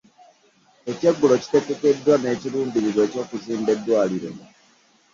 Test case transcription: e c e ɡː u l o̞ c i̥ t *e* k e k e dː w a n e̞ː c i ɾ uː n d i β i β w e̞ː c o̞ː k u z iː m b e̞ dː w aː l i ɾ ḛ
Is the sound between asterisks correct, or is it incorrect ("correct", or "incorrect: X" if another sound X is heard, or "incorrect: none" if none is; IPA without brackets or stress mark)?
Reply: correct